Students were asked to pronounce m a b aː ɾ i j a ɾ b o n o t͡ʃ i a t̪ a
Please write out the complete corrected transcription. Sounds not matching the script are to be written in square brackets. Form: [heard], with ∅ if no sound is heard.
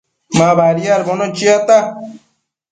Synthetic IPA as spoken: m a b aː ɾ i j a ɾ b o n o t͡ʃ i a t̪ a